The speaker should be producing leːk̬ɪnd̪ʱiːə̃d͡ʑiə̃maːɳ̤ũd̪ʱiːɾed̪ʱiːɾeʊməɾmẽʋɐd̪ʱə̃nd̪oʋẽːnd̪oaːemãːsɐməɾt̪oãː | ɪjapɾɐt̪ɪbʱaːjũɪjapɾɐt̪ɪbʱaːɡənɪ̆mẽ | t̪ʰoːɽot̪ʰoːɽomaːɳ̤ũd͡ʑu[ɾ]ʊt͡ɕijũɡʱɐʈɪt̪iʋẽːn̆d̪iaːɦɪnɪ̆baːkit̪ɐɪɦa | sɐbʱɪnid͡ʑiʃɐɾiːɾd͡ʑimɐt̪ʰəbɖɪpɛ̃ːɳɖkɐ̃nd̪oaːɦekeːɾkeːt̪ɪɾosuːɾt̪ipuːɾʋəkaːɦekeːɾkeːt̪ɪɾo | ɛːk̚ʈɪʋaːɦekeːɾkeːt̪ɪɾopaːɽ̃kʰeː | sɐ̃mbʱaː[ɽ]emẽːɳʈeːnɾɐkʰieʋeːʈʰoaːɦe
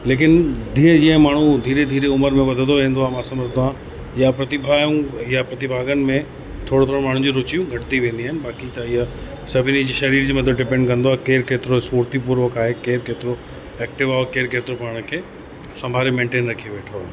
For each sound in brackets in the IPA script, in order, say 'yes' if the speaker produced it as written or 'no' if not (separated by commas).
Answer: yes, no